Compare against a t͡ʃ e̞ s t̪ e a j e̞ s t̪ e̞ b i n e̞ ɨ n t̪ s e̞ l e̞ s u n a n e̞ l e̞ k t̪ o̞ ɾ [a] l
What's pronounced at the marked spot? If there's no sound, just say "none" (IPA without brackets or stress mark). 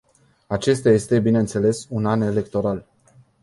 a